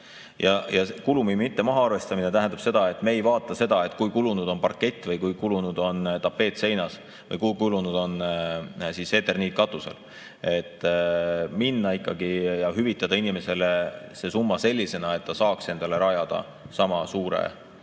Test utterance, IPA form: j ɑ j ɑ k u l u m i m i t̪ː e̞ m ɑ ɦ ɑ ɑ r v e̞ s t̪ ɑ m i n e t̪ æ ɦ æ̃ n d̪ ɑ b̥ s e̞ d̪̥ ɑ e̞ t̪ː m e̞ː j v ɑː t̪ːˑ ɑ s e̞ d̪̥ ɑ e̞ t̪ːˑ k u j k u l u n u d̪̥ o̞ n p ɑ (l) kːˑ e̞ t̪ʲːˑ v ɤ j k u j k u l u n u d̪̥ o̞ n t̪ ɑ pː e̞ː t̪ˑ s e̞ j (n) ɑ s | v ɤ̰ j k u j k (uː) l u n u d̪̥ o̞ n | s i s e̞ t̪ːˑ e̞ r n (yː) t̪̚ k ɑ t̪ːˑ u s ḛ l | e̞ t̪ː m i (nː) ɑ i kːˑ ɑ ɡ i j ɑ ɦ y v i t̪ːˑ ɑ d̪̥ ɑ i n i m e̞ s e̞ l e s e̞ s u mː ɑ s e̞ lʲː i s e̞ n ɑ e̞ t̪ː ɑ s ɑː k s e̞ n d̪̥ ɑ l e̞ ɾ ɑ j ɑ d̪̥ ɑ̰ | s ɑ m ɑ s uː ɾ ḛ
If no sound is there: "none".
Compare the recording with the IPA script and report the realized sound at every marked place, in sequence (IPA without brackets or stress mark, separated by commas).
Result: r, n, u, iː, nː